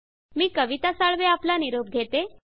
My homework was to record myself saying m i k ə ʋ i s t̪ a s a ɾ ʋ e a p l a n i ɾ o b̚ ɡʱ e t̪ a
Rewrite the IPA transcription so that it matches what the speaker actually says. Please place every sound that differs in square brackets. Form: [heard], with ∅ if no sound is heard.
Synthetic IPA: m [iː] k ə ʋ i [∅] t̪ a s a [ɭ] ʋ e a p l a n i ɾ o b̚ ɡʱ e t̪ [e]